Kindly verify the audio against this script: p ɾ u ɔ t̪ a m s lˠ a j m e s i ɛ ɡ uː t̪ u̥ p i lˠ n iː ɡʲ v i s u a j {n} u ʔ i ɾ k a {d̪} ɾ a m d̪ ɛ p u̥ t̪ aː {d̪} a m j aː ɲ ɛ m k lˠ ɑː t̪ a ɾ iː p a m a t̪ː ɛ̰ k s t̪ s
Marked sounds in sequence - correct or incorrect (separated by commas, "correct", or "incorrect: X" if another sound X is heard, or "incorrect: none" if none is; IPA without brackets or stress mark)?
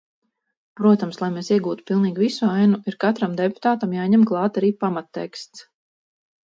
correct, incorrect: t̪, incorrect: t̪